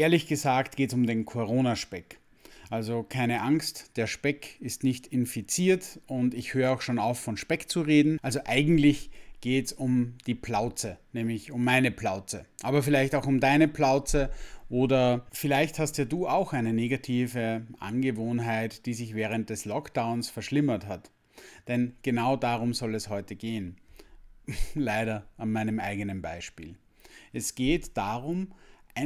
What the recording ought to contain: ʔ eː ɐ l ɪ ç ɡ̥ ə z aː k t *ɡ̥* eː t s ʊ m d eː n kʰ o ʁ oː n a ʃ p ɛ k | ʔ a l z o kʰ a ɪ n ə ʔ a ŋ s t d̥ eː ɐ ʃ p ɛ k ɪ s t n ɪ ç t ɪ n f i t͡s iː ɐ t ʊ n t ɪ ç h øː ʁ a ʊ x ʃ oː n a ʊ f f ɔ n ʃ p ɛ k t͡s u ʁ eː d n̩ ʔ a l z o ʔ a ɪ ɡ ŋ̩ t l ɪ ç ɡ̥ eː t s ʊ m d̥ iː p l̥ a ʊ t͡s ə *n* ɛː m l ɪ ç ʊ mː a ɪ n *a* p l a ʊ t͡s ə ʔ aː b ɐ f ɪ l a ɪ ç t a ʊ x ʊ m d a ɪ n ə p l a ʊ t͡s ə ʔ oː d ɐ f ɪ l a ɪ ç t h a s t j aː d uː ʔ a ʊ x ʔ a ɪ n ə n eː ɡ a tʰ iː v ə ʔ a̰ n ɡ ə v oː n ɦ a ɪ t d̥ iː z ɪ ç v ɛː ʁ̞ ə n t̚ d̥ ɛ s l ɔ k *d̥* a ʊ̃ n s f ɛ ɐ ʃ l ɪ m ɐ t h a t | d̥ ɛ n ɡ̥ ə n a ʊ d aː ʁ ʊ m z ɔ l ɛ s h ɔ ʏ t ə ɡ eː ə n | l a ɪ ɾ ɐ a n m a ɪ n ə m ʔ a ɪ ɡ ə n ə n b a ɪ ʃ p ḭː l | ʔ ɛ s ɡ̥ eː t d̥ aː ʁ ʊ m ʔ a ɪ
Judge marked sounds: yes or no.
yes, yes, no, yes

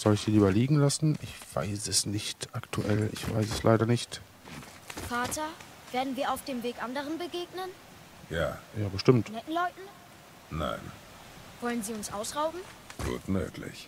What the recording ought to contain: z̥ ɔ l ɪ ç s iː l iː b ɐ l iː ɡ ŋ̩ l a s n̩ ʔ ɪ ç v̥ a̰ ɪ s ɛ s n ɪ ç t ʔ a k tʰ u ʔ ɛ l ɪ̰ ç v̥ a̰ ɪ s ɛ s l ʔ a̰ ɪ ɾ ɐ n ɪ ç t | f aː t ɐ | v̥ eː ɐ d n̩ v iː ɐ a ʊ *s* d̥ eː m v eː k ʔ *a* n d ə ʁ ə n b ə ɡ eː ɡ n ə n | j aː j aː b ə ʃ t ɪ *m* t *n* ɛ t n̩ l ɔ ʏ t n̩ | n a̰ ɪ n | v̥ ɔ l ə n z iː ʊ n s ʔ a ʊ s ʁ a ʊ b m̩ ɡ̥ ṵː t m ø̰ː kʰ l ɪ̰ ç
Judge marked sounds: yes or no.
no, yes, yes, yes

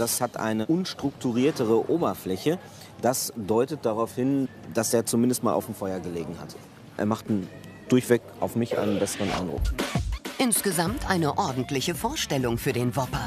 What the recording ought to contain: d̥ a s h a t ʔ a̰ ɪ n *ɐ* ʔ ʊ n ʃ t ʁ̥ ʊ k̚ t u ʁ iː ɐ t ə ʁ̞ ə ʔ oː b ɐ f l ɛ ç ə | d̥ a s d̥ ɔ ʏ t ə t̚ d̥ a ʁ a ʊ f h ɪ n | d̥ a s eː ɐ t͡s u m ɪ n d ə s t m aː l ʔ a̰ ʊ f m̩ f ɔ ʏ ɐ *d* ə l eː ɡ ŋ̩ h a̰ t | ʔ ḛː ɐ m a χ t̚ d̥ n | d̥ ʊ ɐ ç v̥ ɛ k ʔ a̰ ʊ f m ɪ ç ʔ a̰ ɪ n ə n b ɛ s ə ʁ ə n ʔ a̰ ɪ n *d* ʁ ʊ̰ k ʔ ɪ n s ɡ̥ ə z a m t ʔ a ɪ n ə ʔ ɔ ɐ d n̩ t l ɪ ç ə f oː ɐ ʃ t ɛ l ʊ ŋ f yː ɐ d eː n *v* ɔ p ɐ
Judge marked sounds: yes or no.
no, no, yes, yes

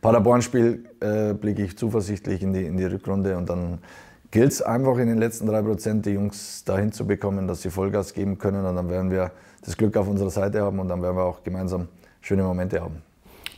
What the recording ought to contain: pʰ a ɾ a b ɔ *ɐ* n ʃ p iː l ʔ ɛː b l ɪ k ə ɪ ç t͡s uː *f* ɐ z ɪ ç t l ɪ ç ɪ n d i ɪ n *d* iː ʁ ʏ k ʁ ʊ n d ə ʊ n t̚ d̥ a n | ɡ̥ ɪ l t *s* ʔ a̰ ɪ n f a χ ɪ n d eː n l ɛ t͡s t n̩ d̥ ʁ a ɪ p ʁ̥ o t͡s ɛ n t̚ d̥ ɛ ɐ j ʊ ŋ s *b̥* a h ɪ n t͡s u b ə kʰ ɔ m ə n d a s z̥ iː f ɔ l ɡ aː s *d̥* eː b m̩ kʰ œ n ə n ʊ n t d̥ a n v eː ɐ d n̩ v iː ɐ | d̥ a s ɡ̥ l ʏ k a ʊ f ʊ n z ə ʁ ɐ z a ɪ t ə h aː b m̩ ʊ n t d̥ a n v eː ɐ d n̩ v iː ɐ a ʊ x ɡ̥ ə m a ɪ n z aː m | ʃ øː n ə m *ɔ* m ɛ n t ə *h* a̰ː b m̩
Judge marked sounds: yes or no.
yes, yes, yes, yes, no, no, no, yes

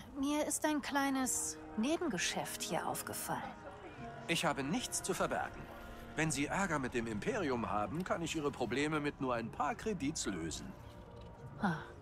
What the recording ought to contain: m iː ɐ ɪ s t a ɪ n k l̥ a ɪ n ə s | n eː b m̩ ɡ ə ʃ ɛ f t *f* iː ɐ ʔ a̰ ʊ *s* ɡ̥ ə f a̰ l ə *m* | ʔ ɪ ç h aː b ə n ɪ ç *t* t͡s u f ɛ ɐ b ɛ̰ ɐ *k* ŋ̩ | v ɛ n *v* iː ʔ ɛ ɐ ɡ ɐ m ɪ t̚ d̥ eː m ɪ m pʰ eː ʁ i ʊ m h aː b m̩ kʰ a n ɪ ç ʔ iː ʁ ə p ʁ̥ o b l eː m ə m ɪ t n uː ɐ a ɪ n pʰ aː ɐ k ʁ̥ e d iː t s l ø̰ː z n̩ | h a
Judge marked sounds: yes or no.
no, no, no, no, no, no

